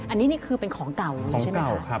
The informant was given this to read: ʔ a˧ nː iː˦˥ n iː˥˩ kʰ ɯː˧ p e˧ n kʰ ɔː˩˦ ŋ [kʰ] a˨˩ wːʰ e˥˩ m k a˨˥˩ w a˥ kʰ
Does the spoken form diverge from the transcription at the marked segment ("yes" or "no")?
yes